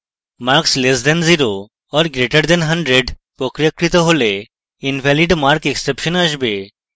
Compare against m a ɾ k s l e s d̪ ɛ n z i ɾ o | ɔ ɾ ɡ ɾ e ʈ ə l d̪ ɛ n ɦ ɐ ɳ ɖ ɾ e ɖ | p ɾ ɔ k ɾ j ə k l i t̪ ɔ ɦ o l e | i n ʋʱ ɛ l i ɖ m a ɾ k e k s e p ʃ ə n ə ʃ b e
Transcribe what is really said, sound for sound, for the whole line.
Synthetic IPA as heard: m a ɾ k s l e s d̪ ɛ n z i ɾ o | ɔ ɾ ɡ ɾ e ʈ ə ɾ d̪ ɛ n ɦ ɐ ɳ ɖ ɾ e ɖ | p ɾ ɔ k ɾ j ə k ɾ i t̪ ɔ ɦ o l e | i n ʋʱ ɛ l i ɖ m a ɾ k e k s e p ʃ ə n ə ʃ b e

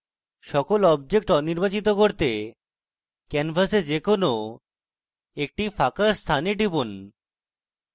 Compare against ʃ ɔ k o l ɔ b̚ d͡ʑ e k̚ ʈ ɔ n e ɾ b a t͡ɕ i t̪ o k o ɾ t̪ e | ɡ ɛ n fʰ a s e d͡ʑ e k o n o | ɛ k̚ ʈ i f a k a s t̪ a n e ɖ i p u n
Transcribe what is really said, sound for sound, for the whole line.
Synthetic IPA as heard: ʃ ɔ k o l ɔ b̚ d͡ʑ e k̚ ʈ ɔ n i ɾ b a t͡ɕ i t̪ o k o ɾ t̪ e | k ɛ n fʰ a s e d͡ʑ e k o n o | e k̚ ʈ i f a k a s t̪ʰ a n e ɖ i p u n

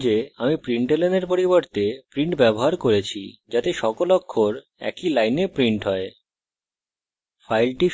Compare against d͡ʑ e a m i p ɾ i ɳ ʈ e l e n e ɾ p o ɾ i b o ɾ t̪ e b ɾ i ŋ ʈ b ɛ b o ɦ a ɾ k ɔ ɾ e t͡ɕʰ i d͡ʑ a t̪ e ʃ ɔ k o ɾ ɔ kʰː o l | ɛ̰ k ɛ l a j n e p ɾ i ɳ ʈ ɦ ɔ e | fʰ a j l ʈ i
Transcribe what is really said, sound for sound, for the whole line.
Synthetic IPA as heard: d͡ʑ e a m i p ɾ i ɳ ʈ e l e n e ɾ p o ɾ i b o ɾ t̪ e p ɾ i ɳ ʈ b ɛ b o ɦ a ɾ k o ɾ e t͡ɕʰ i d͡ʑ a t̪ e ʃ ɔ k o l ɔ kʰː o ɾ | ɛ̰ k i l a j n e p ɾ i ɳ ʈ ɦ ɔ e | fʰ a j l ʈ i

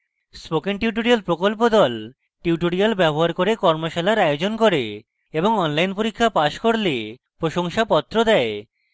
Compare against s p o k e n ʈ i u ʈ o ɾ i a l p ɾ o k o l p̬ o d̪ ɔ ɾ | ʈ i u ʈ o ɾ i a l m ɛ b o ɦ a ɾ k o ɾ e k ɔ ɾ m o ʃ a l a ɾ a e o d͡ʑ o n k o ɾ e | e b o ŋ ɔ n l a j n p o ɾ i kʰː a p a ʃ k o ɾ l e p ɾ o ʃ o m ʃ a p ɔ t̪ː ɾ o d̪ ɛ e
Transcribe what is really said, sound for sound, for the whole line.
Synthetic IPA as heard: s p o k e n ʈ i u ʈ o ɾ i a l p ɾ o k o l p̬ o d̪ ɔ l | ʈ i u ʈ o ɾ i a l b ɛ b o ɦ a ɾ k o ɾ e k ɔ ɾ m o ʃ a l a ɾ a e o d͡ʑ o n k o ɾ e | e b o ŋ ɔ n l a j n p o ɾ i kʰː a p a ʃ k o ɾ l e p ɾ o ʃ o ŋ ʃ a p ɔ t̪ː ɾ o d̪ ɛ e

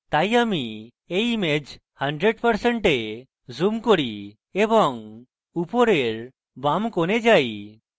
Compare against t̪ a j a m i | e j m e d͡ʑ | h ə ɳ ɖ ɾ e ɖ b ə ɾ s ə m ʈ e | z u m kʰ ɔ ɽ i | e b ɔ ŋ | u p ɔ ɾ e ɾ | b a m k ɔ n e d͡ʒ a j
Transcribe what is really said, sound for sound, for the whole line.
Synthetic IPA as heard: t̪ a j a m i | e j m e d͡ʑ | h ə ɳ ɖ ɾ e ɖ p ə ɾ s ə ɳ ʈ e | z u m k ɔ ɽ i | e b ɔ ŋ | u p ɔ ɾ e ɾ | b a m k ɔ n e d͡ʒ a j

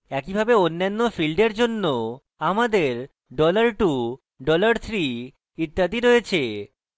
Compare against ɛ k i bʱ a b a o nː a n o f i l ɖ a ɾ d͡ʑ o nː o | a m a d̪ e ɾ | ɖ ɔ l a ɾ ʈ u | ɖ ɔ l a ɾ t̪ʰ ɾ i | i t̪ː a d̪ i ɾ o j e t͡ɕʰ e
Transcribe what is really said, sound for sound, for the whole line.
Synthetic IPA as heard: ɛ k i bʱ a b e o nː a nː o f i l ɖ e ɾ d͡ʑ o nː o | a m a d̪ e ɾ | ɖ ɔ l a ɾ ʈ u | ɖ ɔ l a ɾ t̪ʰ ɾ i | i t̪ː a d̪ i ɾ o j e t͡ɕʰ e

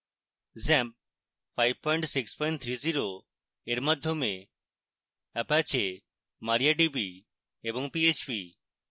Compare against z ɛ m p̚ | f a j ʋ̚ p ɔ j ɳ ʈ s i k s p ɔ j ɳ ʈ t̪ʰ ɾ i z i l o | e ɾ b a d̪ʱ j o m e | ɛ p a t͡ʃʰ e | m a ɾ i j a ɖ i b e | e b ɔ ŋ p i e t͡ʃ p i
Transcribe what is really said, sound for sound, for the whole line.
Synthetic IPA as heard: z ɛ m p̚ | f a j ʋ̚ p ɔ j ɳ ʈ s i k s p ɔ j ɳ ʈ t̪ʰ ɾ i z i ɾ o | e ɾ m a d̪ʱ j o m e | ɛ p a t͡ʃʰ e | m a ɾ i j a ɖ i b i | e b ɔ ŋ p i e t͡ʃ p i

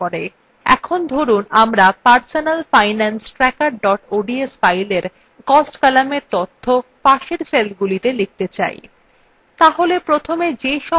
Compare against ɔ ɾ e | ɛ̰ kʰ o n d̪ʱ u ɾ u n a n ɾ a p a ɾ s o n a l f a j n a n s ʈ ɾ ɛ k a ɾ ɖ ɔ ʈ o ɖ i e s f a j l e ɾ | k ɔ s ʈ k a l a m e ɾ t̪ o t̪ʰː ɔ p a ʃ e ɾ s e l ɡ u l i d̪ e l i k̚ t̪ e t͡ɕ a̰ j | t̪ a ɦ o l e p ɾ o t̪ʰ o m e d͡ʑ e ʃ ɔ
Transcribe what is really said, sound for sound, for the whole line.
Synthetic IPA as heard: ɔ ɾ e | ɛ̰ kʰ o n d̪ʱ o ɾ u n a m ɾ a p a ɾ s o n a l f a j n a n s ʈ ɾ ɛ k a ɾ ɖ ɔ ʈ o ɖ i e s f a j l e ɾ | k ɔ s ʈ k a l a m e ɾ t̪ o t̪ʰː o p a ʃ e ɾ s e l ɡ u l i t̪ e l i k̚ t̪ e t͡ɕ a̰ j | t̪ a ɦ o l e p ɾ o t̪ʰ o m e d͡ʑ e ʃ ɔ

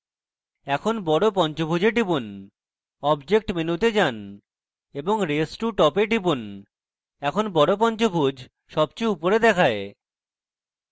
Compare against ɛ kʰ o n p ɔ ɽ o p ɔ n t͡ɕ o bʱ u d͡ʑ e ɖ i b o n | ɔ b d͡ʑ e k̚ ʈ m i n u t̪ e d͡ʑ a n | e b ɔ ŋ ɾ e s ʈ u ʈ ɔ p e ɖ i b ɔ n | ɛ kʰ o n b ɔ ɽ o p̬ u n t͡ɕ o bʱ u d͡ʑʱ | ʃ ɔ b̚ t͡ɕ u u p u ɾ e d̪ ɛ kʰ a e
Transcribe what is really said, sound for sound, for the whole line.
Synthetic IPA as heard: ɛ kʰ o n b ɔ ɽ o p ɔ n t͡ɕ o bʱ u d͡ʑ e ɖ i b u n | ɔ b d͡ʑ e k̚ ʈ m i n u t̪ e d͡ʑ a n | e b o ŋ ɾ e s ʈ u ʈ ɔ p e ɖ i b u n | ɛ kʰ o n b ɔ ɽ o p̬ ɔ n t͡ɕ o bʱ u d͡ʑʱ | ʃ ɔ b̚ t͡ɕ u u p o ɾ e d̪ ɛ kʰ a e

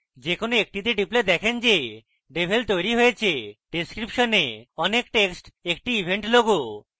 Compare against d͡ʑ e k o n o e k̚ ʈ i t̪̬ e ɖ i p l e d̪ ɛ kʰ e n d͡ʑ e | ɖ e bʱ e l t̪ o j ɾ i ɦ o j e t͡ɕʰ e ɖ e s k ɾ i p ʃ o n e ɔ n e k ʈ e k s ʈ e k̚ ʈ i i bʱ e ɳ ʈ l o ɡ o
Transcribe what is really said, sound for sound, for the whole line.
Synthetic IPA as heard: d͡ʑ e k o n o e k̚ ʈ i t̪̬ e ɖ i p l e d̪ ɛ kʰ e n d͡ʑ e | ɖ e bʱ e l t̪ o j ɾ i ɦ o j e t͡ɕʰ e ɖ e s k ɾ i p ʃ o n e ɔ n e k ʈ e k s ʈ e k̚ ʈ i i bʱ e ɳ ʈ l o ɡ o

